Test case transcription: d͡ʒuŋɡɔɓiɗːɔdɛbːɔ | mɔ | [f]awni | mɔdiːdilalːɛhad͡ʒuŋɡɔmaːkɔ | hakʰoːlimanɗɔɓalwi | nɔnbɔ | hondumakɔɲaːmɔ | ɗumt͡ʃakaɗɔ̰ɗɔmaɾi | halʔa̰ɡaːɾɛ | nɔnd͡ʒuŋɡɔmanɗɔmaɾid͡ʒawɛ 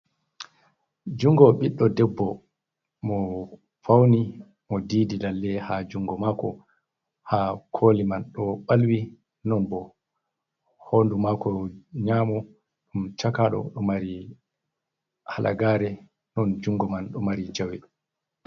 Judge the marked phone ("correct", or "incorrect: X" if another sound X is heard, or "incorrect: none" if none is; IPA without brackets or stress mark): correct